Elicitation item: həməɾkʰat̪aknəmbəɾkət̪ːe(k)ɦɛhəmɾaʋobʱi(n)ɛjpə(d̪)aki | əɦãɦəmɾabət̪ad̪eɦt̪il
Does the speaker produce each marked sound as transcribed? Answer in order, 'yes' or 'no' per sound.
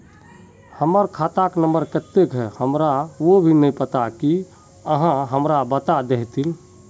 yes, yes, no

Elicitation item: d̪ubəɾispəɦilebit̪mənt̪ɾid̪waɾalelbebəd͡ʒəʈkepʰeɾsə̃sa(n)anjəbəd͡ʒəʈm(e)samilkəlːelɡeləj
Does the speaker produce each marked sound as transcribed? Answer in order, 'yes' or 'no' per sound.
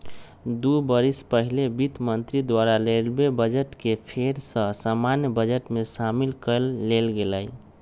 no, yes

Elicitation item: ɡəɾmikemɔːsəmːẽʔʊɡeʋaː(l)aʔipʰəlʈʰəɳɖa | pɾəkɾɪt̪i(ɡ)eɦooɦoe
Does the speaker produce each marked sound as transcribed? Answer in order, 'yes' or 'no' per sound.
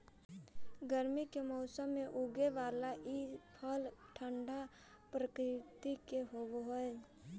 yes, no

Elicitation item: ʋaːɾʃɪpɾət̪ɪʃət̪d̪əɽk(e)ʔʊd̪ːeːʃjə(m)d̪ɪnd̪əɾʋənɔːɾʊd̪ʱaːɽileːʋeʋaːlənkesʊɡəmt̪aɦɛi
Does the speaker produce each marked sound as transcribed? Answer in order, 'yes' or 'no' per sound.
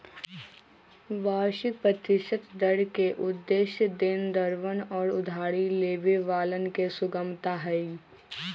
yes, no

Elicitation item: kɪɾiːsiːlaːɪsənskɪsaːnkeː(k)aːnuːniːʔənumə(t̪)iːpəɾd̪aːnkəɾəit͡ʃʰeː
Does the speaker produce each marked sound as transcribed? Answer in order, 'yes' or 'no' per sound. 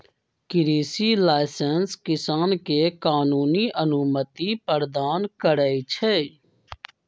yes, yes

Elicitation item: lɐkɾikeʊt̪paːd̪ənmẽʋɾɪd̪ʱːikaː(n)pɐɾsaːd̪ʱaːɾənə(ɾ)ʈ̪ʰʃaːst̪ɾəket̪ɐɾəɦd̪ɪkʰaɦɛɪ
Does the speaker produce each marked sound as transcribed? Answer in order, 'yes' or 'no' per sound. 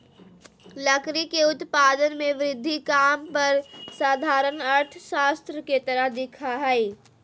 no, yes

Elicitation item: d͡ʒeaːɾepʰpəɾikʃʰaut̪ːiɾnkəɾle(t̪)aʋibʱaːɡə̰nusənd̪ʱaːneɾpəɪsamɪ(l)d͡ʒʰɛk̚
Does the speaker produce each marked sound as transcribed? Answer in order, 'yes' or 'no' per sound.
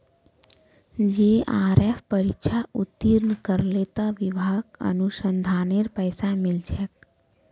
yes, yes

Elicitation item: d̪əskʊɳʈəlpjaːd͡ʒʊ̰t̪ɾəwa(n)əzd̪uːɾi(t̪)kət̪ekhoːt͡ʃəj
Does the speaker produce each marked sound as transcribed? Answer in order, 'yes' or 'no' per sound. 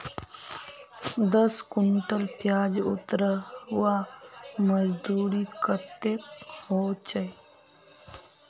no, no

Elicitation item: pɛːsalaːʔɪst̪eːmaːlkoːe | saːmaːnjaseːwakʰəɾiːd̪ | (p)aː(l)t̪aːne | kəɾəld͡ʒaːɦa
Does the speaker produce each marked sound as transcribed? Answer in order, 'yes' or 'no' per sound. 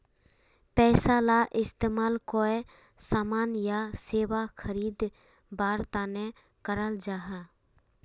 no, no

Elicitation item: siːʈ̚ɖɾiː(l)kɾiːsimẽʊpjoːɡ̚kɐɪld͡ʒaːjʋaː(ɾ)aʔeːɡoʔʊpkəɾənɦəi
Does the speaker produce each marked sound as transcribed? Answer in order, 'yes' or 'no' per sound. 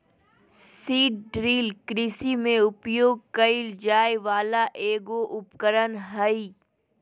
yes, no

